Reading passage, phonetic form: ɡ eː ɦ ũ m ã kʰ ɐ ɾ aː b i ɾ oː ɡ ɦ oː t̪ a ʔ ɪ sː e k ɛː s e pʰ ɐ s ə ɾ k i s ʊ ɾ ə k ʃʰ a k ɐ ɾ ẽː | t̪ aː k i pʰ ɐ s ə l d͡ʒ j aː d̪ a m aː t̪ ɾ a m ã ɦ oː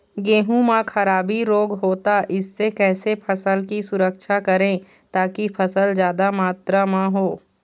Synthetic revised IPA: ɡ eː ɦ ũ m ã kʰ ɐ ɾ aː b i ɾ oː ɡ ɦ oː t̪ a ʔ ɪ sː e k ɛː s e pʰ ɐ s ə l k i s ʊ ɾ ə k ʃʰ a k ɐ ɾ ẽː | t̪ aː k i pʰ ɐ s ə l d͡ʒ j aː d̪ a m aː t̪ ɾ a m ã ɦ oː